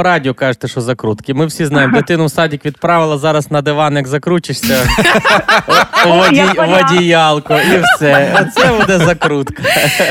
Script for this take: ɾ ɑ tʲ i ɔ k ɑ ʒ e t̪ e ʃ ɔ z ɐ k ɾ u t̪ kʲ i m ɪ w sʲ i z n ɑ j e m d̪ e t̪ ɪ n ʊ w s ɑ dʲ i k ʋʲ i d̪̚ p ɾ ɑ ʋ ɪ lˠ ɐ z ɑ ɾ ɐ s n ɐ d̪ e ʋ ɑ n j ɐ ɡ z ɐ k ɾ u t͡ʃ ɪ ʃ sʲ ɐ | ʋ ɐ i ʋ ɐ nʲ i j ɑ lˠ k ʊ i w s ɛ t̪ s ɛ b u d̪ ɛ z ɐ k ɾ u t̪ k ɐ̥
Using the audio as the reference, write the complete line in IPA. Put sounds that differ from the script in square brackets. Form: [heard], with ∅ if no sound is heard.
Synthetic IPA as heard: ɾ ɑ [dʲ] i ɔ k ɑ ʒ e t̪ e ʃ ɔ z ɐ k ɾ u t̪ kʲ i m ɪ w sʲ i z n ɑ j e m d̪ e t̪ ɪ n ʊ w s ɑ dʲ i k ʋʲ i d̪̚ p ɾ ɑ ʋ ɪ lˠ ɐ z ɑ ɾ ɐ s n ɐ d̪ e ʋ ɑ n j ɐ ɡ z ɐ k ɾ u t͡ʃ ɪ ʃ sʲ ɐ | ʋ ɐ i ʋ ɐ [dʲ] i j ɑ lˠ k ʊ i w s ɛ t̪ s ɛ b u d̪ ɛ z ɐ k ɾ u t̪ k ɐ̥